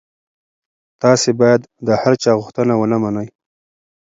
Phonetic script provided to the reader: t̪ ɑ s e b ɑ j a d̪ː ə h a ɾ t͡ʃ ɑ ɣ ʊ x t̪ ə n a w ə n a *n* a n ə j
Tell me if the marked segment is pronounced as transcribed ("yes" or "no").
no